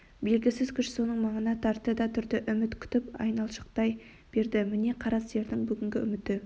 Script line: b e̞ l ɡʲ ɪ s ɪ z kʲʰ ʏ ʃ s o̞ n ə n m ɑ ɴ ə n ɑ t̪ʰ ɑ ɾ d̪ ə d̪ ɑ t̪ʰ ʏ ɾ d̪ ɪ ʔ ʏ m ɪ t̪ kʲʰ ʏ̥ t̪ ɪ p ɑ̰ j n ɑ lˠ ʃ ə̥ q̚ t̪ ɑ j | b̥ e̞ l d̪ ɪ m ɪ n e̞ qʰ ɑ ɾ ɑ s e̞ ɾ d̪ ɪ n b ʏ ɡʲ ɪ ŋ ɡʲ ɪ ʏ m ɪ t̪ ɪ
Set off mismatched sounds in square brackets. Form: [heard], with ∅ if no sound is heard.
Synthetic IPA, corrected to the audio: b e̞ l ɡʲ ɪ s ɪ z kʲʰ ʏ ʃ s o̞ n ə [ɴ] m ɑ ɴ ə n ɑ t̪ʰ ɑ ɾ [t̪] ə d̪ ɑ t̪ʰ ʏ ɾ d̪ ɪ ʔ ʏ m ɪ t̪ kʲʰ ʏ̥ t̪ ɪ p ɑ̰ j n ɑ lˠ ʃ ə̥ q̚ t̪ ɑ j | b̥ e̞ [ɾ] d̪ ɪ m ɪ n e̞ qʰ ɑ ɾ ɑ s e̞ ɾ d̪ ɪ [ŋ] b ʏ ɡʲ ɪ ŋ ɡʲ ɪ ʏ m ɪ t̪ ɪ